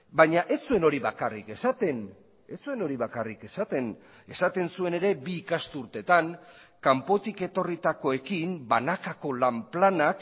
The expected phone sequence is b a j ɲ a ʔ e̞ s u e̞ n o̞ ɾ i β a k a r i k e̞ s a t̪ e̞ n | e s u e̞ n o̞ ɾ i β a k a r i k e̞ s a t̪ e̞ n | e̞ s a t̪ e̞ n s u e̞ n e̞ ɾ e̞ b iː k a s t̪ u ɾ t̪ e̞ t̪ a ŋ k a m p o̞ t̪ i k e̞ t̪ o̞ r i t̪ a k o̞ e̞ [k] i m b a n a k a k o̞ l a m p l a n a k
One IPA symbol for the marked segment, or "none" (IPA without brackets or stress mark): k